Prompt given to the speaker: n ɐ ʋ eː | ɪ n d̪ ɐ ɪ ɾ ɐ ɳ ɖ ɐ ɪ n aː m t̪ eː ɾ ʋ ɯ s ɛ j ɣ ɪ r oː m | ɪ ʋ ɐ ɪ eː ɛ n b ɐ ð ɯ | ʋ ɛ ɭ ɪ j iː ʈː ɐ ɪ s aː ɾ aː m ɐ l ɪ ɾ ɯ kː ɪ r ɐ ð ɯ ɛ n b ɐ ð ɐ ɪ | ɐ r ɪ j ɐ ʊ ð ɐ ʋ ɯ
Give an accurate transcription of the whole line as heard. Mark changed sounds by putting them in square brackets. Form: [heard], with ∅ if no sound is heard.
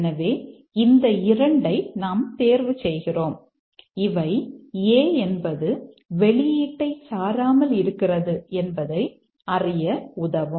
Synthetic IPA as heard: n ɐ ʋ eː | ɪ n d̪ ɐ ɪ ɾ ɐ ɳ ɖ ɐ ɪ n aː m t̪ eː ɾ ʋ ɯ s ɛ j ɣ ɪ r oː m | ɪ ʋ ɐ ɪ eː ɛ n b ɐ ð ɯ | ʋ ɛ ɭ ɪ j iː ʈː ɐ ɪ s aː ɾ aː m ɐ l ɪ ɾ ɯ kː ɪ r ɐ ð ɯ ɛ n b ɐ ð ɐ ɪ | ɐ r ɪ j ɐ ʊ ð ɐ ʋ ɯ